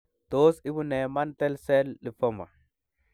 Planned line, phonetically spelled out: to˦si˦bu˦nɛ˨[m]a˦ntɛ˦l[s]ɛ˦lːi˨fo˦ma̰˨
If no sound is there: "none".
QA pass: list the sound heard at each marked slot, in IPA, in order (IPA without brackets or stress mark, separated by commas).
m, s